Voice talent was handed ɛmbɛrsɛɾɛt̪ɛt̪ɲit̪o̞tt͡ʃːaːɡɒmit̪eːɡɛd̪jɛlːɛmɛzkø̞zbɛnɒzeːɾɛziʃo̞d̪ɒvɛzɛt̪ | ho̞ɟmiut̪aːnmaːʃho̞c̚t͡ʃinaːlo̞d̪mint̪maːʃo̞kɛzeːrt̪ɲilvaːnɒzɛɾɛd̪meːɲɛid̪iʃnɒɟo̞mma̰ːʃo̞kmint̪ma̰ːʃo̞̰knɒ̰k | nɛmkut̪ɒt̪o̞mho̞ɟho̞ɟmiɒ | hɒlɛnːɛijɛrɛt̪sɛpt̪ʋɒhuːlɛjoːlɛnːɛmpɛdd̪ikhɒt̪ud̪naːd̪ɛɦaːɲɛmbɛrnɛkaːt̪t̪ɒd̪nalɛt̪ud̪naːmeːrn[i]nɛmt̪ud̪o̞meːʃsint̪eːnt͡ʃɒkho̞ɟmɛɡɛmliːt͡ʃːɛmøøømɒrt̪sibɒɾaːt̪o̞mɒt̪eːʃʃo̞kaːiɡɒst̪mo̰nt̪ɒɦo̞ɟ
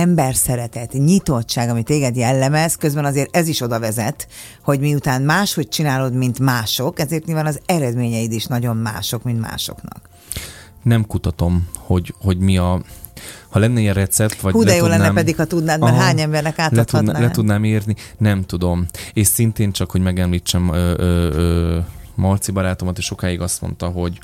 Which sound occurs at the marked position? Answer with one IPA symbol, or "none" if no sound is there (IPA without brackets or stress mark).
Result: i